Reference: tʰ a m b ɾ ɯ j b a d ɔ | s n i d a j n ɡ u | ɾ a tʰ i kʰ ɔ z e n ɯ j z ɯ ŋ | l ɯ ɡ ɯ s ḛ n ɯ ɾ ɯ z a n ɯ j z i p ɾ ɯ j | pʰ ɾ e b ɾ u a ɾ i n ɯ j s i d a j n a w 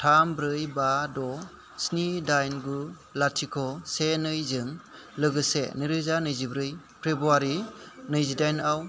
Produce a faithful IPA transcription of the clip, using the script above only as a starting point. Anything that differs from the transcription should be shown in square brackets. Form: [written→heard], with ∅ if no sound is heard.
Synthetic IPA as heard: tʰ a m b ɾ ɯ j b a d ɔ | s n i d a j n ɡ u | [ɾ→l] a tʰ i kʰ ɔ [z→s] e n ɯ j z ɯ ŋ | l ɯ ɡ ɯ s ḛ n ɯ ɾ ɯ z a n ɯ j z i [p→b] ɾ ɯ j | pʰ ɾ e b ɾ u a ɾ i n ɯ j [s→z] i d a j n a w